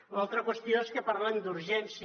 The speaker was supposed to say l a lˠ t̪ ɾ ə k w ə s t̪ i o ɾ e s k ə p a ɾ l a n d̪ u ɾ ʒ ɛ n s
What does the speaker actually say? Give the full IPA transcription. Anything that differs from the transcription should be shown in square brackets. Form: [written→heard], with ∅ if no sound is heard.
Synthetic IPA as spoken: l a lˠ t̪ ɾ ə k w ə s t̪ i o [ɾ→∅] e s k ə p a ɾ l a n d̪ u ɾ ʒ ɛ n s